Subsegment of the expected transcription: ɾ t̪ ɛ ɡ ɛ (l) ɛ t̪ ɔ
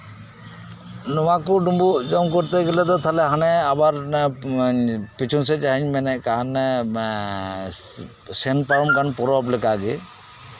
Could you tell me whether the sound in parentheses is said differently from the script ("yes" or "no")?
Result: no